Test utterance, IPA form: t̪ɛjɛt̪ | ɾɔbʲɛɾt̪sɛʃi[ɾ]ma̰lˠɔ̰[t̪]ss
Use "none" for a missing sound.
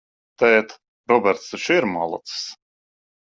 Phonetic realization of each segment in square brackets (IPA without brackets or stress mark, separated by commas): ɾ, t̪